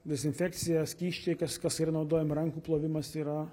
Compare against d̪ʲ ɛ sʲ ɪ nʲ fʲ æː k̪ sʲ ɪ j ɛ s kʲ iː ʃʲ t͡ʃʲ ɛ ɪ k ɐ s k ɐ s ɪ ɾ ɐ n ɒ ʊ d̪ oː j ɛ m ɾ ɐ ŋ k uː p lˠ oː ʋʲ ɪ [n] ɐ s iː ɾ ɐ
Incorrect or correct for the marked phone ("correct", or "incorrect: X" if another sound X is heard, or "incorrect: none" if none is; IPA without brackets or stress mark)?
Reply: incorrect: m